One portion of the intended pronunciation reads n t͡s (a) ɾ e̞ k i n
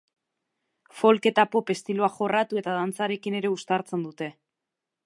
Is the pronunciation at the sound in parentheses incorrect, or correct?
correct